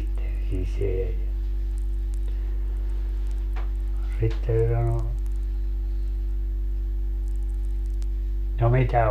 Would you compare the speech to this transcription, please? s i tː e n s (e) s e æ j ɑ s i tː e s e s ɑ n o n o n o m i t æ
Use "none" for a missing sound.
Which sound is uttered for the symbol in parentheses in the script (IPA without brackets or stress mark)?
i